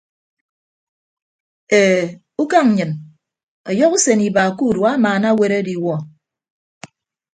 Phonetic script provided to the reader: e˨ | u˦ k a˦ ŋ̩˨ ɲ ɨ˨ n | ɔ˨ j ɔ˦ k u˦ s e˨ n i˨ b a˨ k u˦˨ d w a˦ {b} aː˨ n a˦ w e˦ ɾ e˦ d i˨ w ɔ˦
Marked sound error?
yes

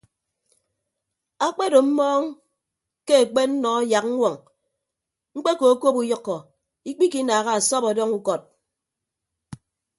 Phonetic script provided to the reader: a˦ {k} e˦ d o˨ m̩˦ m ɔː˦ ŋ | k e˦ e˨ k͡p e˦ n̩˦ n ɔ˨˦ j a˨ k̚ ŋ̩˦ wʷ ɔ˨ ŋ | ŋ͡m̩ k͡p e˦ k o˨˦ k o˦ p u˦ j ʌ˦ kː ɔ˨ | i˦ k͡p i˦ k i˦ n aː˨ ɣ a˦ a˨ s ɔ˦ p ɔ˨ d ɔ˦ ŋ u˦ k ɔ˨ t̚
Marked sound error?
yes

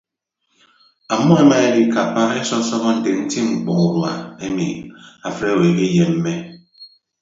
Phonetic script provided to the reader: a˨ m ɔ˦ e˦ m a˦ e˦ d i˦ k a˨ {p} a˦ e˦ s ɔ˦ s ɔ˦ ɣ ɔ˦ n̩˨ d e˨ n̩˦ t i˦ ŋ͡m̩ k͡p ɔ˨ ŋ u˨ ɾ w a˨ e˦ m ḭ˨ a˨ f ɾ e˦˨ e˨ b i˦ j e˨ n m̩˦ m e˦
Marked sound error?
no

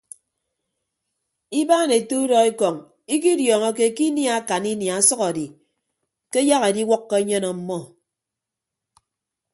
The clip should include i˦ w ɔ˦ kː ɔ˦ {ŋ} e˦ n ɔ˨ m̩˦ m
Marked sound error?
yes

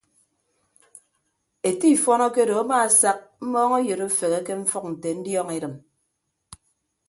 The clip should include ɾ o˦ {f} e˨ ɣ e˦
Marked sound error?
no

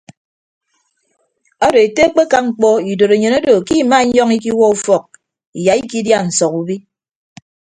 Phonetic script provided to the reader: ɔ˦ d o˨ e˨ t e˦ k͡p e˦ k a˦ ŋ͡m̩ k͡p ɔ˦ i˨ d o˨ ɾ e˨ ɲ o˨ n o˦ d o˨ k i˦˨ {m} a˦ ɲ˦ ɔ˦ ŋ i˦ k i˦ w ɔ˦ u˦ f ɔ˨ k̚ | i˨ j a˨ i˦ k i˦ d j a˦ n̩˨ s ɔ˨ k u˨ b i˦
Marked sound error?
no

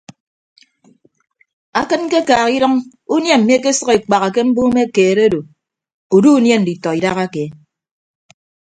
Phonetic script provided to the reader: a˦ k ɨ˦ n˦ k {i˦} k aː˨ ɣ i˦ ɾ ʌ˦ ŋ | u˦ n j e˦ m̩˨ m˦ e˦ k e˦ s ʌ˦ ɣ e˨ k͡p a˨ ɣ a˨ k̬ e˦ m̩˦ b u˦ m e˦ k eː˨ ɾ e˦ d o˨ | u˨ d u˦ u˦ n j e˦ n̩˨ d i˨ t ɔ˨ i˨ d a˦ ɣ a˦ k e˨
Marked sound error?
yes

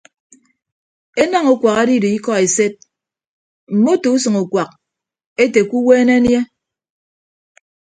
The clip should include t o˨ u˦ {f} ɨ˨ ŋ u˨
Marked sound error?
yes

